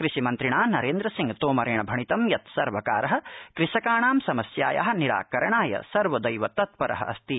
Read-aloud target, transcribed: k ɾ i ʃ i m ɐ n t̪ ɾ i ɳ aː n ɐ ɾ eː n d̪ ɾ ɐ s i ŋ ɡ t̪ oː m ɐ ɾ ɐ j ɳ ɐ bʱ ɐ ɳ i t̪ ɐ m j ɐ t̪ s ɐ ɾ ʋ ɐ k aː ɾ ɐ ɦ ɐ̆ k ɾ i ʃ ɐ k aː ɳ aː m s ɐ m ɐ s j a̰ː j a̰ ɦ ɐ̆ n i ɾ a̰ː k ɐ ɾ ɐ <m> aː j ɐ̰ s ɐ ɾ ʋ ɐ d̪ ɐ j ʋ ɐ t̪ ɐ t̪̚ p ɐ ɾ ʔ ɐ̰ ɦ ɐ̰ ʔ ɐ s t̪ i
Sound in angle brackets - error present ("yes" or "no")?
yes